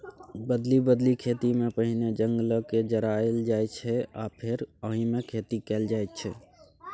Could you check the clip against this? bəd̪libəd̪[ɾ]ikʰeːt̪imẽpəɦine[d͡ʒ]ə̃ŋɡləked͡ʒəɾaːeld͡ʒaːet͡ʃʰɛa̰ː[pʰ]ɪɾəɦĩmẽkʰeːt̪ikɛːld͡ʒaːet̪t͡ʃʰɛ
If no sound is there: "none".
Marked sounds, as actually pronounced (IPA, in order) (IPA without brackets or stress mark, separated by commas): l, d͡ʒ, pʰ